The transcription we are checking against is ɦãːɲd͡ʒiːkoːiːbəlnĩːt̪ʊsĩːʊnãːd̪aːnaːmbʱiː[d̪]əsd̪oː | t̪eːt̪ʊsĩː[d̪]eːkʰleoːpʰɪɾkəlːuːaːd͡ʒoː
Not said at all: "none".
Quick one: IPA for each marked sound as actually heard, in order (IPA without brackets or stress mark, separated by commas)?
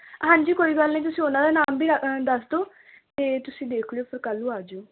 d̪, d̪